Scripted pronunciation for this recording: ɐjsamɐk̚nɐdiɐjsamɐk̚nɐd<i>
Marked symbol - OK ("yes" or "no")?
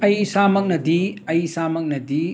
yes